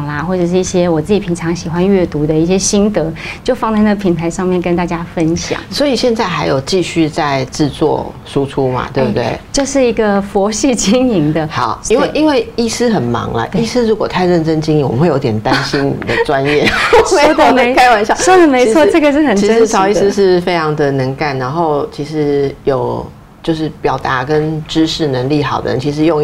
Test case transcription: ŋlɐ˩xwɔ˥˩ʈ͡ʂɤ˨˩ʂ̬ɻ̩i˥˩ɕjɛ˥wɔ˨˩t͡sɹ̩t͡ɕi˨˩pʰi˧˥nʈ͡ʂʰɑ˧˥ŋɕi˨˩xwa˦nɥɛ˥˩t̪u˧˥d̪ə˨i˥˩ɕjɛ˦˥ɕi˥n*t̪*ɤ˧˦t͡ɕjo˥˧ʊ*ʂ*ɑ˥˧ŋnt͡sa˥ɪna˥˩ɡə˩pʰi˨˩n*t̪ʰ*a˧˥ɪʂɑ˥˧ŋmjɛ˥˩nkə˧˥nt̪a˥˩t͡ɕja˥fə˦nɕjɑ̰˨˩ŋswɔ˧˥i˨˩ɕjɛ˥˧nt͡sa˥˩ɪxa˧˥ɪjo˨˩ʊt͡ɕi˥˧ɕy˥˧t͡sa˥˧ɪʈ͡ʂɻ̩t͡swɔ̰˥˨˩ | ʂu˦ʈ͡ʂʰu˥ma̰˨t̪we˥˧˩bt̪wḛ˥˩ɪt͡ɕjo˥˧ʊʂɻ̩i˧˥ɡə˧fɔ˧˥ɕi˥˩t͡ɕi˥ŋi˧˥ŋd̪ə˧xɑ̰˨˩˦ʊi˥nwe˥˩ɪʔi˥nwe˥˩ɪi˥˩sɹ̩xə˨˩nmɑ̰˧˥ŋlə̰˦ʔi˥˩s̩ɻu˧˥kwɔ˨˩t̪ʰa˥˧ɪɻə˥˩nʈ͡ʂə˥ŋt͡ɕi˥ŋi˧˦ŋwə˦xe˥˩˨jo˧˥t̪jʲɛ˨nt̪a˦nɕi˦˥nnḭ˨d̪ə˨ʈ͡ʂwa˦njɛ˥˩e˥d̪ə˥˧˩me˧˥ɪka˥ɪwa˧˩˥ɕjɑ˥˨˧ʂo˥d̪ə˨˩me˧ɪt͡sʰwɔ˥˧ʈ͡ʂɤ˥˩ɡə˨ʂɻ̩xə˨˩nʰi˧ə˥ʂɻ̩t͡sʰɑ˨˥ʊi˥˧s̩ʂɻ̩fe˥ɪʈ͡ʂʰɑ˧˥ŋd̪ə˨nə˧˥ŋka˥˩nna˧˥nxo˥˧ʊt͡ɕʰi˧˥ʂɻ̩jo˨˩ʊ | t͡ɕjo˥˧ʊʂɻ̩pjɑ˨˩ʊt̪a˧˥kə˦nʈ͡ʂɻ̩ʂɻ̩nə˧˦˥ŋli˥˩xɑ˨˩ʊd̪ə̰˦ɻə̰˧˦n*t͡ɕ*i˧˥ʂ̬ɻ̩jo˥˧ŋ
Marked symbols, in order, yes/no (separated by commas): yes, no, yes, no